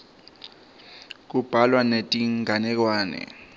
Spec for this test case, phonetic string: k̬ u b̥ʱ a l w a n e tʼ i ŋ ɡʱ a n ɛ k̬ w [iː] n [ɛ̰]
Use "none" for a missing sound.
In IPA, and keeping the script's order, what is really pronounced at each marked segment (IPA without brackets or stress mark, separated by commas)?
aː, ɛ̰